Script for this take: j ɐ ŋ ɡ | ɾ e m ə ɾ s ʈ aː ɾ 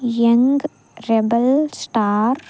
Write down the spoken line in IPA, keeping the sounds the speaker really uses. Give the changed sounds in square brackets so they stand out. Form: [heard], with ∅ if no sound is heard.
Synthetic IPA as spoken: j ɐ ŋ ɡ | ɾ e [b] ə [l] s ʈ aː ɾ